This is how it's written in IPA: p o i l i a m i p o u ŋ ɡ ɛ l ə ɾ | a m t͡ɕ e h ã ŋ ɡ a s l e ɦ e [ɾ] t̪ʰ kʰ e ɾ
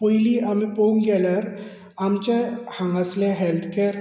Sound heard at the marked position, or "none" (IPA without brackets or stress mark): l